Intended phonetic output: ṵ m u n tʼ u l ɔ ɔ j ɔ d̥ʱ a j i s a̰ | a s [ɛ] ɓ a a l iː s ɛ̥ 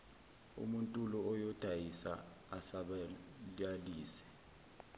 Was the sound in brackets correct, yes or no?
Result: no